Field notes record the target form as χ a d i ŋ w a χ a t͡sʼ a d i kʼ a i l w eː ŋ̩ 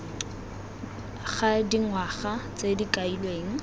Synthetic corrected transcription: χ a d i ŋ w a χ a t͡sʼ e d i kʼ a i l w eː ŋ̩